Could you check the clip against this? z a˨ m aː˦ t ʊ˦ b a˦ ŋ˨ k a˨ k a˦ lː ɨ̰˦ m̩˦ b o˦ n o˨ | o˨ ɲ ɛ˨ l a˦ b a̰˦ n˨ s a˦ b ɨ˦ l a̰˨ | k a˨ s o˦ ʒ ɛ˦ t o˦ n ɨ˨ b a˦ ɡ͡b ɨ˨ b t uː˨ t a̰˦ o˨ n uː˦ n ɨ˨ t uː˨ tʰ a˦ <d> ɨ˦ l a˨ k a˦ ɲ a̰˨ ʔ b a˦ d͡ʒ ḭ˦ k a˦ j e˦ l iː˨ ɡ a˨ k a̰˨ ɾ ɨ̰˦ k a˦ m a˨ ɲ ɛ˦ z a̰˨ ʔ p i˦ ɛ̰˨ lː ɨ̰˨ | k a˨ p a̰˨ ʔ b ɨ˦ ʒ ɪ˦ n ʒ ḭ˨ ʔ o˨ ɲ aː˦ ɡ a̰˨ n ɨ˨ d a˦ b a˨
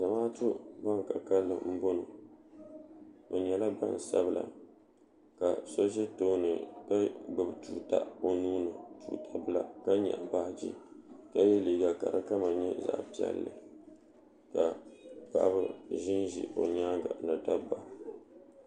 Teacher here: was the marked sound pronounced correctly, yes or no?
no